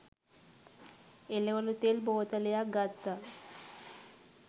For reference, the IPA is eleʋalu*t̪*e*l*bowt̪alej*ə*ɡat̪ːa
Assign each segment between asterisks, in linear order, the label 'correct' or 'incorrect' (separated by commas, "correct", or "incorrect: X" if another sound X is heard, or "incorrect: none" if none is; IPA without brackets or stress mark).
correct, correct, incorrect: a